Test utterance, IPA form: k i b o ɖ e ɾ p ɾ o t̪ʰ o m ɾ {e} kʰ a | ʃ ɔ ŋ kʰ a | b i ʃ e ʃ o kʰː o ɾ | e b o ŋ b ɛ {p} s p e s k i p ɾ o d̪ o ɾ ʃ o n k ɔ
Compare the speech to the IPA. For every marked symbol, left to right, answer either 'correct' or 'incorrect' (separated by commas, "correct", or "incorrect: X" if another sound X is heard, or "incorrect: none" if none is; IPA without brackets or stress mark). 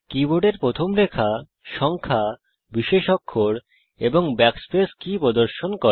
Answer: correct, incorrect: k